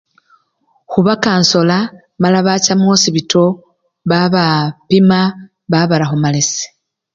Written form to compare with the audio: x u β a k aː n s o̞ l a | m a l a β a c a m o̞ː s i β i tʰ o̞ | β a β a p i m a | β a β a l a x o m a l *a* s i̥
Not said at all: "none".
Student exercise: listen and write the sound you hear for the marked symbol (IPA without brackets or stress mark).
e